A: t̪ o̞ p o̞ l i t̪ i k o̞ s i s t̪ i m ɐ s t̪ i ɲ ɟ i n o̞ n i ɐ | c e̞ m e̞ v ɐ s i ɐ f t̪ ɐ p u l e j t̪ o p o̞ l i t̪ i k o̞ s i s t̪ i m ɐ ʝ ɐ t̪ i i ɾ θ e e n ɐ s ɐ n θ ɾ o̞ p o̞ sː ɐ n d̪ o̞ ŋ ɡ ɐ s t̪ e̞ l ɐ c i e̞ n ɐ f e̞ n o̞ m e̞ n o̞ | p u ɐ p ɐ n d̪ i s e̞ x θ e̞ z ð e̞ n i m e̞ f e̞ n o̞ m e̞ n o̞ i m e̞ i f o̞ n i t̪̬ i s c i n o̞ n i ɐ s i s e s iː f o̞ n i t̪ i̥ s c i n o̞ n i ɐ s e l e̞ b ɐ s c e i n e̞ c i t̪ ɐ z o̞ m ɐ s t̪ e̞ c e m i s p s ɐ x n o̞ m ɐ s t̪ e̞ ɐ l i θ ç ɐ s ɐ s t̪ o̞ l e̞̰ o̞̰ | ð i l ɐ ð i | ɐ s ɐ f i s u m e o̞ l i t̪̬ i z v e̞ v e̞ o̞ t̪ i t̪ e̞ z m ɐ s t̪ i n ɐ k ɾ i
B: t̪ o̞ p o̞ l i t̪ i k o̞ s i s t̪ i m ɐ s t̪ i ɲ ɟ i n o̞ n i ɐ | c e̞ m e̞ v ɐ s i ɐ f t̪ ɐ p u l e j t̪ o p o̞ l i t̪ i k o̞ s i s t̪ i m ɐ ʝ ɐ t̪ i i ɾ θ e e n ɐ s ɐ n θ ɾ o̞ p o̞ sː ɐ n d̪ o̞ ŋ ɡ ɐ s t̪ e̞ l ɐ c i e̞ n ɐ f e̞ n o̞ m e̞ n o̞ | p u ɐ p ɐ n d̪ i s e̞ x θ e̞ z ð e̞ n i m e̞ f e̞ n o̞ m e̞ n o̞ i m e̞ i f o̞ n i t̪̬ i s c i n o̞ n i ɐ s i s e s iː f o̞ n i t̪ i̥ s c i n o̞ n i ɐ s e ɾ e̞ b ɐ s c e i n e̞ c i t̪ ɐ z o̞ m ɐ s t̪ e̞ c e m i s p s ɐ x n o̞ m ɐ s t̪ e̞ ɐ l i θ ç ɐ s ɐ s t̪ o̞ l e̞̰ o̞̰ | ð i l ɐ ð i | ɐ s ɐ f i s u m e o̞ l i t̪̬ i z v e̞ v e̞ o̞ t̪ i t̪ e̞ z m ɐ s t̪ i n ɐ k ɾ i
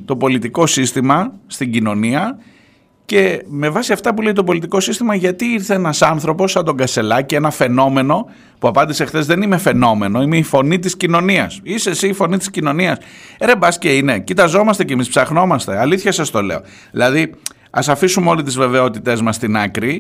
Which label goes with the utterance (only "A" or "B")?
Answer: B